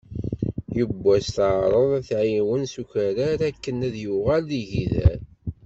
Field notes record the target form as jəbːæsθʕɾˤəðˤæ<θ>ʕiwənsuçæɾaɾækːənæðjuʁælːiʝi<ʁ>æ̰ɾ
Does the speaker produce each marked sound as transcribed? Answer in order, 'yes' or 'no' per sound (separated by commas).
yes, no